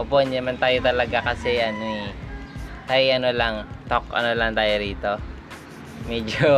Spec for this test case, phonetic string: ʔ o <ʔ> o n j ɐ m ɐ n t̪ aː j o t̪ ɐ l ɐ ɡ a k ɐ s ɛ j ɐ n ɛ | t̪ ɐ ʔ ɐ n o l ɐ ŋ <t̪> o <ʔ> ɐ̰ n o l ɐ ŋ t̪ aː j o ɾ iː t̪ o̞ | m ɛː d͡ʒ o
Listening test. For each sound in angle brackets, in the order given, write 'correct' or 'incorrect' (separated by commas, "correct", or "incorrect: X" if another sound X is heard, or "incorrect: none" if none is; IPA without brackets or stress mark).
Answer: incorrect: p, correct, incorrect: k